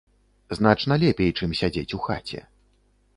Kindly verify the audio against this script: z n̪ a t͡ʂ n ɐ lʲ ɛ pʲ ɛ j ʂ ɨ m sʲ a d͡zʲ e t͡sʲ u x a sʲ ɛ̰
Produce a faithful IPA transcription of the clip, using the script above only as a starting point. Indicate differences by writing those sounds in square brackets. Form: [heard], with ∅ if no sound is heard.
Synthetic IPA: z n̪ a t͡ʂ n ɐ lʲ ɛ pʲ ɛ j [t͡ʂ] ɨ m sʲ a d͡zʲ e t͡sʲ u x a [t͡sʲ] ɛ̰